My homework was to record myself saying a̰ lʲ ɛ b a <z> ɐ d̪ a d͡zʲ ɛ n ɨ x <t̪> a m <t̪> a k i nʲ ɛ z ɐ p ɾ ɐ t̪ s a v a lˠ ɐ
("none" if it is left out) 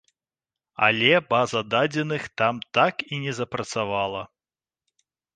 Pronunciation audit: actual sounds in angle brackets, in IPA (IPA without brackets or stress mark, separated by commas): z, t̪, t̪